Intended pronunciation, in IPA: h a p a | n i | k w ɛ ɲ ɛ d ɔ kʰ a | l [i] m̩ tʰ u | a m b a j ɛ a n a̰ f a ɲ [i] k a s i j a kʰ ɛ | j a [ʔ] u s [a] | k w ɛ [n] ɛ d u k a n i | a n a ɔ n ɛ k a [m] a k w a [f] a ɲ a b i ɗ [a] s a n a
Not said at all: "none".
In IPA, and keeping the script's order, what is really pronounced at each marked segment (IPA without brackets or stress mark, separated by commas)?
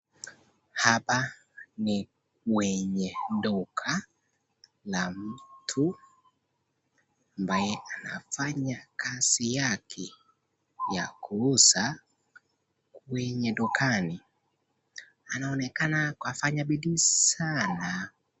a, a, k, a, ɲ, n, f, i